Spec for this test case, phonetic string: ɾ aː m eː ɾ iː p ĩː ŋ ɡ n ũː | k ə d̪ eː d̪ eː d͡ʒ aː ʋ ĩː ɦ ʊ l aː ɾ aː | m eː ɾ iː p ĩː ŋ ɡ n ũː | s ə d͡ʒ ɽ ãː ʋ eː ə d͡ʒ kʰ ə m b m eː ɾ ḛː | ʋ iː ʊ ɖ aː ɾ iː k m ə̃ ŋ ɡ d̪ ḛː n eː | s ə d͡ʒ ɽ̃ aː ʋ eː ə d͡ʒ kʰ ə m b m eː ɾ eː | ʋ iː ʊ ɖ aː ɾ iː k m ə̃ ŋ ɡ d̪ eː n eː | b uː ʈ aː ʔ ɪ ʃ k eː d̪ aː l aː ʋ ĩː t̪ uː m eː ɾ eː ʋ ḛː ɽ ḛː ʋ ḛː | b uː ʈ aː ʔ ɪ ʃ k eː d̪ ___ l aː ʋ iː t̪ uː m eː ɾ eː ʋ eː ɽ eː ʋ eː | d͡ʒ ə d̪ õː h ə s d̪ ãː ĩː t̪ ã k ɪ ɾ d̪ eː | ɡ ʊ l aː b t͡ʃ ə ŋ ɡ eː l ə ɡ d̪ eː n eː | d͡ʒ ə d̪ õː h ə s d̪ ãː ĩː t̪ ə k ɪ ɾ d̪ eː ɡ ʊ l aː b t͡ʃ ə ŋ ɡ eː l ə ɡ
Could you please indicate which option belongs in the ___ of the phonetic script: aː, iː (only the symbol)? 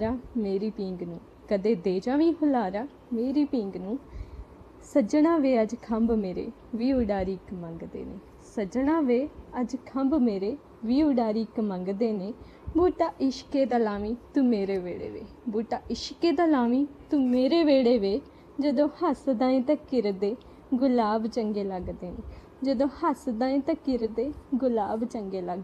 aː